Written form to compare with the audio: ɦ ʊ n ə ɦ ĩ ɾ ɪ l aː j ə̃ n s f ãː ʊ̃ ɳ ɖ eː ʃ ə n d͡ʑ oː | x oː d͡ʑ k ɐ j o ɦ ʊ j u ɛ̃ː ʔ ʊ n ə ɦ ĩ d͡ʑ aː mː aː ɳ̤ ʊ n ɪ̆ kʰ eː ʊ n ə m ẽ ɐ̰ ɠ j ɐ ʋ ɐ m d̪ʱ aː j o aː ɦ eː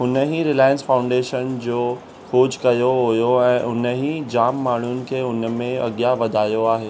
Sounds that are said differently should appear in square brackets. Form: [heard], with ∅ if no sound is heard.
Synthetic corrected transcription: ɦ ʊ n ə ɦ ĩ ɾ ɪ l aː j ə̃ n s f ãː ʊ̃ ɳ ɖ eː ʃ ə n d͡ʑ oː | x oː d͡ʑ k ɐ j o ɦ ʊ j [o] ɛ̃ː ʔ ʊ n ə ɦ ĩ d͡ʑ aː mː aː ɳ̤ ʊ n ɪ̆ kʰ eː ʊ n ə m ẽ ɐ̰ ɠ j [a] ʋ ɐ [∅] d̪ʱ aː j o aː ɦ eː